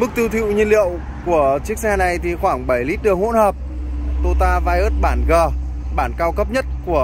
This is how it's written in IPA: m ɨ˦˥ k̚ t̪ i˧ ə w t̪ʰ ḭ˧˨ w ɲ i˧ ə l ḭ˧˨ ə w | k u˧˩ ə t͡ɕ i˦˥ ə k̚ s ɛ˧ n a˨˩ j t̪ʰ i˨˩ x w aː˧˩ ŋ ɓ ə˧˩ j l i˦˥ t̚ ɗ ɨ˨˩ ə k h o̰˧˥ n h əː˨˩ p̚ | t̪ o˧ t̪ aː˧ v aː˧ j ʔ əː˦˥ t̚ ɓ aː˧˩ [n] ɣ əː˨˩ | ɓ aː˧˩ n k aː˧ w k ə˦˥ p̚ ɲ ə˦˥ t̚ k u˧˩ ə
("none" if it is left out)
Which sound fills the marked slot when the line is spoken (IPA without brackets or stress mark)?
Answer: n